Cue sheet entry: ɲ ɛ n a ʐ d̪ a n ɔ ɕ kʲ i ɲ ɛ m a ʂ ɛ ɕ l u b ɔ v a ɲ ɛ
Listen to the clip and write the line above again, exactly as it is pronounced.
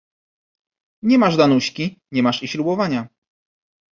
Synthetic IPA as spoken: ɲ ɛ m a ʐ d̪ a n u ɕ kʲ i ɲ ɛ m a ʂ i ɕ l u b ɔ v a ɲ a

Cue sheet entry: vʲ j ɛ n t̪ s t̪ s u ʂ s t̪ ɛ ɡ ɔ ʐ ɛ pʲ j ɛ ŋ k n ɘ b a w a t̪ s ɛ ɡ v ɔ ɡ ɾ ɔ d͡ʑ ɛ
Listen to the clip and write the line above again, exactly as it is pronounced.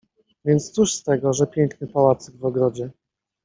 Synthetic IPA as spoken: vʲ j ɛ n t̪ s t̪ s u ʂ s t̪ ɛ ɡ ɔ ʐ ɛ pʲ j ɛ ŋ k n ɘ p a w a t̪ s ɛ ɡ v ɔ ɡ ɾ ɔ d͡ʑ ɛ

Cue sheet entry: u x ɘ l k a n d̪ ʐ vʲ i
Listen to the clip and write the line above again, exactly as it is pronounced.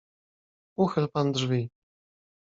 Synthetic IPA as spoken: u x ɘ l p a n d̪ ʐ vʲ i

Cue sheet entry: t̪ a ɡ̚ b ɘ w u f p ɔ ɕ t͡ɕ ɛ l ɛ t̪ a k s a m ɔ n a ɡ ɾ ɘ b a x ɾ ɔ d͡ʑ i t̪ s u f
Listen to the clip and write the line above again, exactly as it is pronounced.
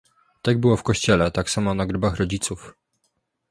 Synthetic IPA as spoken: t̪ a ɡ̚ b ɘ w ɔ f k ɔ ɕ t͡ɕ ɛ l ɛ t̪ a k s a m ɔ n a ɡ ɾ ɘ b a x ɾ ɔ d͡ʑ i t̪ s u f

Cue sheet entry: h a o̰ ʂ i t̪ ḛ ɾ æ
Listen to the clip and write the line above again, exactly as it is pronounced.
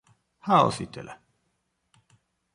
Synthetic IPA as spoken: h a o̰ s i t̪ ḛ l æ

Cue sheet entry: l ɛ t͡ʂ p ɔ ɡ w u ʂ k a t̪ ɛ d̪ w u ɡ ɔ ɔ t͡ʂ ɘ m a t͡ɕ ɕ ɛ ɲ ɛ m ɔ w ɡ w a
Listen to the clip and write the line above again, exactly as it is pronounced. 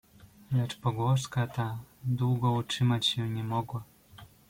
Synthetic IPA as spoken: l ɛ t͡ʂ p ɔ ɡ w ɔ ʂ k a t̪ a d̪ w u ɡ ɔ u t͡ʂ ɘ m a t͡ɕ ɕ ɛ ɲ ɛ m ɔ ɡ w a

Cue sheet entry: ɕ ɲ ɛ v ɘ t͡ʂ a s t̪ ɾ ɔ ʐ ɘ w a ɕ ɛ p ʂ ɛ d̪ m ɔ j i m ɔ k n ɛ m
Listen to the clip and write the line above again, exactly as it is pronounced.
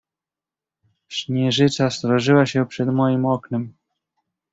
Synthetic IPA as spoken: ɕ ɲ ɛ ʐ ɘ t͡ʂ a s t̪ ɾ ɔ ʐ ɘ w a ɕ ɛ p ʂ ɛ d̪ m ɔ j i m ɔ k n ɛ m

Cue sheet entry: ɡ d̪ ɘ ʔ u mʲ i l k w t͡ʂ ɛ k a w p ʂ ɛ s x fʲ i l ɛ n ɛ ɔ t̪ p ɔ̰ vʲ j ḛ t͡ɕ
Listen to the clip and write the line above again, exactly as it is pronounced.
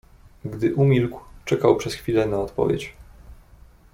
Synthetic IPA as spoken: ɡ d̪ ɘ ʔ u mʲ i l k w t͡ʂ ɛ k a w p ʂ ɛ s x fʲ i l ɛ n a ɔ t̪ p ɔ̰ vʲ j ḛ t͡ɕ

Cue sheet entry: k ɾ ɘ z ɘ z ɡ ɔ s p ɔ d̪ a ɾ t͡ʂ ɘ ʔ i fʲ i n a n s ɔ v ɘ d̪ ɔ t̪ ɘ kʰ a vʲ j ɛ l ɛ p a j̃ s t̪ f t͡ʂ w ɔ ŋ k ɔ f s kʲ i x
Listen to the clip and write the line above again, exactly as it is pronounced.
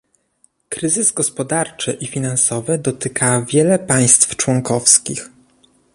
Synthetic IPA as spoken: k ɾ ɘ z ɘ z ɡ ɔ s p ɔ d̪ a ɾ t͡ʂ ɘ ʔ i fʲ i n a n s ɔ v ɘ d̪ ɔ t̪ ɘ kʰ a vʲ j ɛ l ɛ p a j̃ s t̪ f t͡ʂ w ɔ ŋ k ɔ f s kʲ i x

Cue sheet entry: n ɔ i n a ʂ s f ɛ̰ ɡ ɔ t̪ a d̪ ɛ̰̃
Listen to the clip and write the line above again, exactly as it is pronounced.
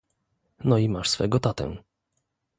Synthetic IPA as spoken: n ɔ i m a ʂ s f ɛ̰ ɡ ɔ t̪ a t̪ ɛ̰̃

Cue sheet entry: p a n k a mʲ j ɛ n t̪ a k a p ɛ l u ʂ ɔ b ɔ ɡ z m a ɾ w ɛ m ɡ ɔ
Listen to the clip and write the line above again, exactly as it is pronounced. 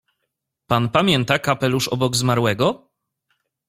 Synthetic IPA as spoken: p a n p a mʲ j ɛ n t̪ a k a p ɛ l u ʂ ɔ b ɔ ɡ z m a ɾ w ɛ ɡ ɔ

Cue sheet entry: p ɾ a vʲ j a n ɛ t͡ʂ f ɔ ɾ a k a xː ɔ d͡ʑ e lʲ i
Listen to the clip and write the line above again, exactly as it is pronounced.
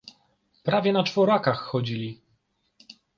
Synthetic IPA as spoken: p ɾ a vʲ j ɛ n a t͡ʂ f ɔ ɾ a k a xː ɔ d͡ʑ i lʲ i

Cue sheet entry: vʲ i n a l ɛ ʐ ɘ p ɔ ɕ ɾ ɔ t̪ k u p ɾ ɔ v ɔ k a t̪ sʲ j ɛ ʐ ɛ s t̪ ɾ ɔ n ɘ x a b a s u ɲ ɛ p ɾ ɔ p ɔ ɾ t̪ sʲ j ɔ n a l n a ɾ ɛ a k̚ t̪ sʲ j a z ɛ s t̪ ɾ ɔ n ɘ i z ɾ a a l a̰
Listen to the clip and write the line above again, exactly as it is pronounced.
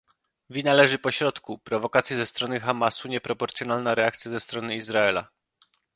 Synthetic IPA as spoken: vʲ i n a l ɛ ʐ ɘ p ɔ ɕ ɾ ɔ t̪ k u p ɾ ɔ v ɔ k a t̪ sʲ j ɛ z ɛ s t̪ ɾ ɔ n ɘ x a m a s u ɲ ɛ p ɾ ɔ p ɔ ɾ t̪ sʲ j ɔ n a l n a ɾ ɛ a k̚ t̪ sʲ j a z ɛ s t̪ ɾ ɔ n ɘ i z ɾ a ɛ l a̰

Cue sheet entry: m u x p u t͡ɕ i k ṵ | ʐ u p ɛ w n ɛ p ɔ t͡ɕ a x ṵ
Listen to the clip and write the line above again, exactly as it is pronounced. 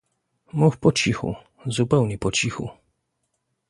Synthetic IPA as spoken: m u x p ɔ t͡ɕ i x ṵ | z u p ɛ w ɲ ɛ p ɔ t͡ɕ i x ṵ

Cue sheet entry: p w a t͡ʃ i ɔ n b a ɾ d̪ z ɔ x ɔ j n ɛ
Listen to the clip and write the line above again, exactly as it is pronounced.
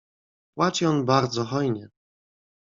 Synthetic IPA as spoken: p w a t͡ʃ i ɔ n b a ɾ d̪ z ɔ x ɔ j ɲ ɛ

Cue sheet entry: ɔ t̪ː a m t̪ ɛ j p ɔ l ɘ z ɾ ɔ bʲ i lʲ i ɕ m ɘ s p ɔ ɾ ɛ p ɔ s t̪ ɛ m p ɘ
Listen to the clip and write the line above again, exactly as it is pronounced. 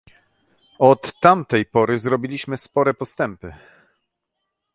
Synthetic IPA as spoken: ɔ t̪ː a m t̪ ɛ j p ɔ ɾ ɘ z ɾ ɔ bʲ i lʲ i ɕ m ɘ s p ɔ ɾ ɛ p ɔ s t̪ ɛ m p ɘ

